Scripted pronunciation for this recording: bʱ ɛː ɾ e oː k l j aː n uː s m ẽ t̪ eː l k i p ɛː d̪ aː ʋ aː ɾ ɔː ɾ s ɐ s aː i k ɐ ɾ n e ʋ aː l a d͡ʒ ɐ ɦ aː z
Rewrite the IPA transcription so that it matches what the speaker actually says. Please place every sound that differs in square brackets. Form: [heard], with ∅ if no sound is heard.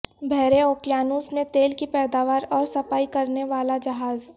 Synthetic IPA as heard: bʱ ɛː ɾ e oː k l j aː n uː s m ẽ t̪ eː l k i p ɛː d̪ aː ʋ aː ɾ ɔː ɾ s ɐ [f] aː i k ɐ ɾ n e ʋ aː l a d͡ʒ ɐ ɦ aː z